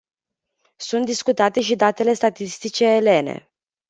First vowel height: high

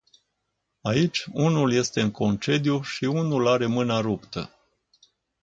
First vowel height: low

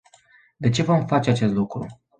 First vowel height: mid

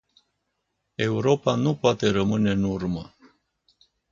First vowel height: mid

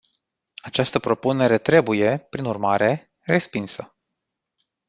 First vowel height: low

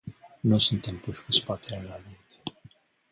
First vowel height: high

